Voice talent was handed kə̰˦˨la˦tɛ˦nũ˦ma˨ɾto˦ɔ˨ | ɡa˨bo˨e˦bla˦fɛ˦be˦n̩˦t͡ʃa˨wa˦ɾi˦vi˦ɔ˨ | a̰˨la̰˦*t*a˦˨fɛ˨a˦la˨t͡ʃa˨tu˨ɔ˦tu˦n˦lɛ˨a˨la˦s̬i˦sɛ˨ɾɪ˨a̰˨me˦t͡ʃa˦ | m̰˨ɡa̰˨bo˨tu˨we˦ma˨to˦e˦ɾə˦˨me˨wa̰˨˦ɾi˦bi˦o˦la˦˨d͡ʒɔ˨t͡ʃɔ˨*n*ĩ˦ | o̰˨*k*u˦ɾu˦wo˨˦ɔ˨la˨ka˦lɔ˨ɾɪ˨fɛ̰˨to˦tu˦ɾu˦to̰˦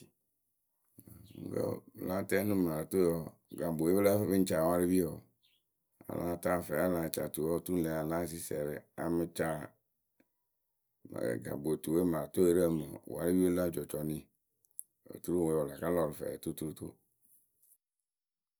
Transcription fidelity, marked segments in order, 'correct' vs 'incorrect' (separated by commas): correct, correct, incorrect